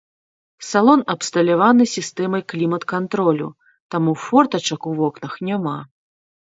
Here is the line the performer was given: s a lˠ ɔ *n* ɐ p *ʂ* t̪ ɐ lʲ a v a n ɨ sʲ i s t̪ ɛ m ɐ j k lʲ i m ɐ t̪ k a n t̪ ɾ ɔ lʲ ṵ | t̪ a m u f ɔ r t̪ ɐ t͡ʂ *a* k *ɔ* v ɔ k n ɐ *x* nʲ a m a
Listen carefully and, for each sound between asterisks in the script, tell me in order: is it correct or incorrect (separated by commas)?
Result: correct, incorrect, incorrect, incorrect, correct